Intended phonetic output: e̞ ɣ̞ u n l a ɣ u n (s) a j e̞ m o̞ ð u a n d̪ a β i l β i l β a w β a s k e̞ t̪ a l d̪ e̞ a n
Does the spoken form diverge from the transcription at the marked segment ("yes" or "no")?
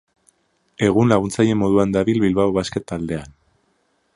yes